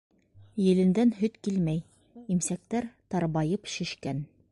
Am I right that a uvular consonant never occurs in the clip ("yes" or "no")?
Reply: yes